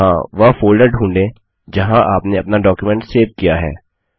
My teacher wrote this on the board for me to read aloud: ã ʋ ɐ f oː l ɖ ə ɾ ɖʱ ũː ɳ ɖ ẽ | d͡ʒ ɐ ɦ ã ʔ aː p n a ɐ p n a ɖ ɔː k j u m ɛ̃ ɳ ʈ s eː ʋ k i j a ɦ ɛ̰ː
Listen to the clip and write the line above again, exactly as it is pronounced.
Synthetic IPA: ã ʋ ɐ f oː l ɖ ə ɾ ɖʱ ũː ɳ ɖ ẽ | d͡ʒ ɐ ɦ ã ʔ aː p n e ɐ p n a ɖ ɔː k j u m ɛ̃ ɳ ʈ s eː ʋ k i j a ɦ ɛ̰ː

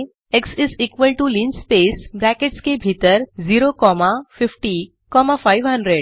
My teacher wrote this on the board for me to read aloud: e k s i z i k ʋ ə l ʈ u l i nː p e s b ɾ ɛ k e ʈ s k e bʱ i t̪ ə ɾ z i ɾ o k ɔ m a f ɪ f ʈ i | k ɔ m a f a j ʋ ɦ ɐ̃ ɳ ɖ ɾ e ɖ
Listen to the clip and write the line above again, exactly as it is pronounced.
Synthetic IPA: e k s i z i k ʋ ə l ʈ u l i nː p e s b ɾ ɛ k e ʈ s k e bʱ i t̪ ə ɾ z i ɾ o k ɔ m a f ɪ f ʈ i | k ɔ m a f a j ʋ ɦ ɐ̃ ɳ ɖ ɾ e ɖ

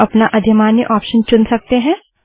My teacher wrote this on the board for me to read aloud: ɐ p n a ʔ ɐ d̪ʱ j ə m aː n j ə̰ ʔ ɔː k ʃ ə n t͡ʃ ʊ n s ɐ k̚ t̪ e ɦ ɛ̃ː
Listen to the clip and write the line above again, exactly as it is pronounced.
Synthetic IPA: ɐ p n a ʔ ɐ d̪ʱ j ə m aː n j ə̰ ʔ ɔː p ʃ ə n t͡ʃ ʊ n s ɐ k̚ t̪ e ɦ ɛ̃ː

